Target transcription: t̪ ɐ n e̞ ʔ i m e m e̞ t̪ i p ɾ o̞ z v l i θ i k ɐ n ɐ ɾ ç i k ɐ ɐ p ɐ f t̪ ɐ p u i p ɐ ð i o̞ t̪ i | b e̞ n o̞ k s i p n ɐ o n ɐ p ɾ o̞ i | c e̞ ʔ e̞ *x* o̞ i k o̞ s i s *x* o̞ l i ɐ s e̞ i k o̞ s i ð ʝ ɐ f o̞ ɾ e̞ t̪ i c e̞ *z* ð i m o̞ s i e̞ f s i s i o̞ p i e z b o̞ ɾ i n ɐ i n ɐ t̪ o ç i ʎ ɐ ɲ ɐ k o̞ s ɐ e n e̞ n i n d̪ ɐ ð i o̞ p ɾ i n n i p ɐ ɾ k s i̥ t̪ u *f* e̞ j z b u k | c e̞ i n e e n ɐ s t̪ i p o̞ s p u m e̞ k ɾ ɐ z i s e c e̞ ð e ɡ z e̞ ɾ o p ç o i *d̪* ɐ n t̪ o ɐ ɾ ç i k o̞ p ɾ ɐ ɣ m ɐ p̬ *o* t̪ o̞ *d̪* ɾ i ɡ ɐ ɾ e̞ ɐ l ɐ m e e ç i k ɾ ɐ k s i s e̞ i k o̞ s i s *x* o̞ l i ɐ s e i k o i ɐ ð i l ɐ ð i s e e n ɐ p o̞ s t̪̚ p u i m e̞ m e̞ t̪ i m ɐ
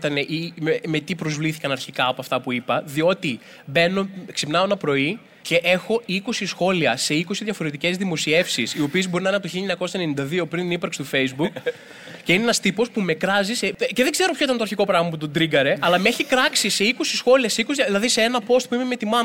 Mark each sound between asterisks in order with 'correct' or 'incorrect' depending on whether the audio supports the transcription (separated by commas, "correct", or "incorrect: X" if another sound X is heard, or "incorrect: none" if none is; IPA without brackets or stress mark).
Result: correct, correct, correct, correct, incorrect: t̪, incorrect: u, correct, correct